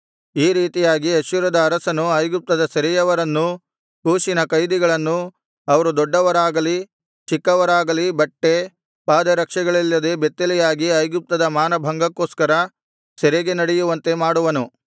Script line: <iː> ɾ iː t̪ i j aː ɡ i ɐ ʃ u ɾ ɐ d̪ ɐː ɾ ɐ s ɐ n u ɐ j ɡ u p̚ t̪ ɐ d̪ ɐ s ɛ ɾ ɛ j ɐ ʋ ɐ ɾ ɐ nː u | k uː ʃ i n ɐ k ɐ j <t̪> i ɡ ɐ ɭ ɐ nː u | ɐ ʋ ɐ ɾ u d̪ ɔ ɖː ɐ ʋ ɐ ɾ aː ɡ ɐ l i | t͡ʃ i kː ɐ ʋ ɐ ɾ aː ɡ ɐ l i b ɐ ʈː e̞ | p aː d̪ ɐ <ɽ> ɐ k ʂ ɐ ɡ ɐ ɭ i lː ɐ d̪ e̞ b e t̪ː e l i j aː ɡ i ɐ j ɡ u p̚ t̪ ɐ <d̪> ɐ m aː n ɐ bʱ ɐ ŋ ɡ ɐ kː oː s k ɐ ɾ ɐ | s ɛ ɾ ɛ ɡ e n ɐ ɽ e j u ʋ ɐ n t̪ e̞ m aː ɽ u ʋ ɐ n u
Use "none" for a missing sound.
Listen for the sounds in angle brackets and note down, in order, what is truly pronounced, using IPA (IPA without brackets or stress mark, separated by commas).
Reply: iː, d̪, ɾ, d̪